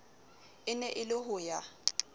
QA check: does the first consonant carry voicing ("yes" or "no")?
yes